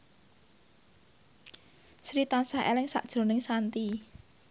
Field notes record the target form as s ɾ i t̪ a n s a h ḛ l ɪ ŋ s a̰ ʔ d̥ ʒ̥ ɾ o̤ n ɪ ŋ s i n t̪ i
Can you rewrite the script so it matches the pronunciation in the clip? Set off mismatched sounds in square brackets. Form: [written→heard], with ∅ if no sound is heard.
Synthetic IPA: s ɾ i t̪ a n s a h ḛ l ɪ ŋ s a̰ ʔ d̥ ʒ̥ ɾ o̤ n ɪ ŋ s [i→a] n t̪ i